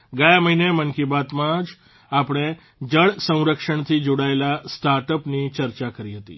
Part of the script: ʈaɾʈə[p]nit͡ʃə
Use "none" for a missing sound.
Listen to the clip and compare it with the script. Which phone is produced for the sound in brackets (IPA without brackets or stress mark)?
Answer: p